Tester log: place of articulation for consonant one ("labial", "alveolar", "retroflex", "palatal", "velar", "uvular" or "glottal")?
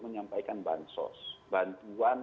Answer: labial